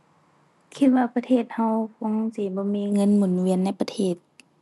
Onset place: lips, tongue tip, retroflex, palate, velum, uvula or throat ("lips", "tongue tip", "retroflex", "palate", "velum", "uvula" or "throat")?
velum